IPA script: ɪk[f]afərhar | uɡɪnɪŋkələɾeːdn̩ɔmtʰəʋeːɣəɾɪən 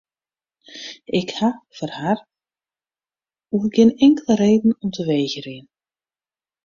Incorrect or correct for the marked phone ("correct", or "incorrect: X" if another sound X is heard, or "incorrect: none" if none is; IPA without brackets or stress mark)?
incorrect: h